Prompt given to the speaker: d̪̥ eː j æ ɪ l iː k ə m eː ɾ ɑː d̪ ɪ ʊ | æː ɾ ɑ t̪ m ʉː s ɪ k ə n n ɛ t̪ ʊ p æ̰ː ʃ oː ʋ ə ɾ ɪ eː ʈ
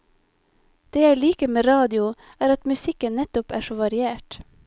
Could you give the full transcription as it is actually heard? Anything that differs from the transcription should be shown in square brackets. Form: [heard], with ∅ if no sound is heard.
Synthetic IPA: d̪̥ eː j æ ɪ l iː k ə m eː ɾ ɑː d̪ ɪ ʊ | æː ɾ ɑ t̪ m [ʉ] s ɪ k ə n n ɛ t̪ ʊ p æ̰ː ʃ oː ʋ [ɑ] ɾ ɪ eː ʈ